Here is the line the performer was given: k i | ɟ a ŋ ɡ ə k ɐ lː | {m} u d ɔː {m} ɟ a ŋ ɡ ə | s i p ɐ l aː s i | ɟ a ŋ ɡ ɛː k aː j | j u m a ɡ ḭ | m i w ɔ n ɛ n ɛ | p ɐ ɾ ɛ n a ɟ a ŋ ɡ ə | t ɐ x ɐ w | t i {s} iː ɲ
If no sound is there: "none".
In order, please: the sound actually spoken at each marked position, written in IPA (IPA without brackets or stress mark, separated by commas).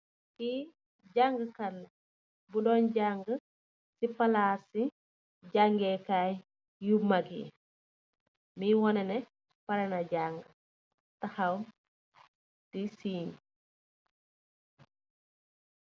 b, n, s